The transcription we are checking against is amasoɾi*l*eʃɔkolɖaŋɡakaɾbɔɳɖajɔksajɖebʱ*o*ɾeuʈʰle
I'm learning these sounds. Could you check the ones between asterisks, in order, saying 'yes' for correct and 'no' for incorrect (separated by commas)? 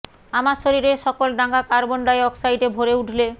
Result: no, yes